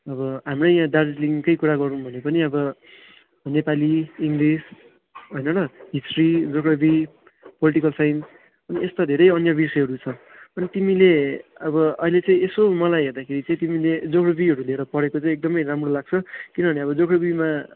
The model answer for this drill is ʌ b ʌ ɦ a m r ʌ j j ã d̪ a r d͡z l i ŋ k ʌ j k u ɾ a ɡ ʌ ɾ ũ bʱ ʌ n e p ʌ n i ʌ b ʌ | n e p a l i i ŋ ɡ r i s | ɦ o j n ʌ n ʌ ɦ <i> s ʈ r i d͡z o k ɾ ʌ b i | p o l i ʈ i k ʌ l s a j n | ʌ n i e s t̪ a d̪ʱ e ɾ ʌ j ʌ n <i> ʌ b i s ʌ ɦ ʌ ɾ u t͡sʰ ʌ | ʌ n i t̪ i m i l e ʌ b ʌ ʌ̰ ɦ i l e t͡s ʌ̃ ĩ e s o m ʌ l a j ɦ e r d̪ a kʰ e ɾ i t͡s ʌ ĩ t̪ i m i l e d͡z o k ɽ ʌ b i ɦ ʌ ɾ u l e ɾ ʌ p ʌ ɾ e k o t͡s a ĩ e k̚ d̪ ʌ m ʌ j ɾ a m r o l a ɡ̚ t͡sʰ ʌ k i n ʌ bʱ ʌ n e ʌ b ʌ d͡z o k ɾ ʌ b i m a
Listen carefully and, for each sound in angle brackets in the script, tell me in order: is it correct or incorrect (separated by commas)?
correct, incorrect